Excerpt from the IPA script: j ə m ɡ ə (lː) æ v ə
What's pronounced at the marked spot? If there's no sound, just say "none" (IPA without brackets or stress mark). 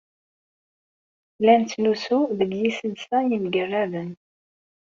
rː